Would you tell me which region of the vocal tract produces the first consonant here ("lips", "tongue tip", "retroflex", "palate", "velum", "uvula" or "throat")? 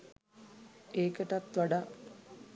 velum